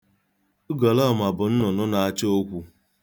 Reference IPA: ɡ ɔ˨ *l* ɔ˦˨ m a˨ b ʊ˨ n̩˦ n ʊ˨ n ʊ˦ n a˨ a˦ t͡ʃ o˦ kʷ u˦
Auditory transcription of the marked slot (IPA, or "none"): l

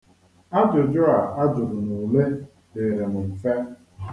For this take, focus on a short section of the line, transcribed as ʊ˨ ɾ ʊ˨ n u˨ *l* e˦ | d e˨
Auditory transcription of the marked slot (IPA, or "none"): l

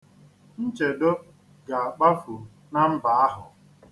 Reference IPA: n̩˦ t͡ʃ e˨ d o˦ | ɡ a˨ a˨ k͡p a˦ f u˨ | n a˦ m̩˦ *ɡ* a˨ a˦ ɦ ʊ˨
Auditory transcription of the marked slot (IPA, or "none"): b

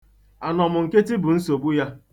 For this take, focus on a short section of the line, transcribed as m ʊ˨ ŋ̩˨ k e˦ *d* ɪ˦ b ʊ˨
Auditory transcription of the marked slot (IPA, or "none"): t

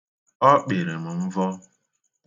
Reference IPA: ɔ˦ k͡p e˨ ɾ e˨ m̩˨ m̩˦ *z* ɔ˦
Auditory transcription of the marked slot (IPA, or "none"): v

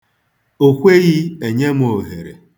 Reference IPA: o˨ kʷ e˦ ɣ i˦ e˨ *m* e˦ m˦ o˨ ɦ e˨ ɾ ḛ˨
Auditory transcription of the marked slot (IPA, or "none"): ɲ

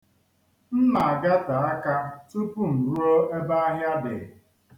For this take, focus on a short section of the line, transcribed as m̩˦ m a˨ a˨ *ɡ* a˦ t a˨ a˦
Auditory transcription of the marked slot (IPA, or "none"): ɡ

